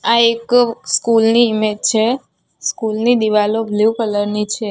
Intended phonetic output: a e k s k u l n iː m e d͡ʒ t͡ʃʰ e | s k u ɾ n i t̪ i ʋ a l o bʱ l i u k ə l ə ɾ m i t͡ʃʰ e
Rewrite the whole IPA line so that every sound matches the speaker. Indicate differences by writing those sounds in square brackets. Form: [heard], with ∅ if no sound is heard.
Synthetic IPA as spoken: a e k s k u l n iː m e d͡ʒ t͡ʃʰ e | s k u [l] n i [d̪] i ʋ a l o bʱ l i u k ə l ə ɾ [n] i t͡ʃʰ e